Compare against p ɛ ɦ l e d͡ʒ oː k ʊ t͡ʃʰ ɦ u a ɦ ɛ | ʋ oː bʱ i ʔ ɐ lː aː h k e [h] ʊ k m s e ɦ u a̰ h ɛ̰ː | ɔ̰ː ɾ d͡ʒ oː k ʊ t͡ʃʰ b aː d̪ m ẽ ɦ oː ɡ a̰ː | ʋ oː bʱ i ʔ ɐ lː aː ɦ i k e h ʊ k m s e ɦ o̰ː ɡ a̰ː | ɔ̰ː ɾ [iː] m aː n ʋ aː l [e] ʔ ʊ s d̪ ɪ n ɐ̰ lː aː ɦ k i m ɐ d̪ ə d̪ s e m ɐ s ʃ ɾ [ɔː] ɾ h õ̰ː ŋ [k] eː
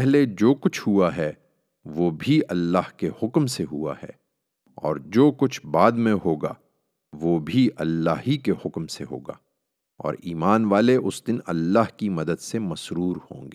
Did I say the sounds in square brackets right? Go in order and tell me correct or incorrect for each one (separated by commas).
correct, correct, correct, incorrect, incorrect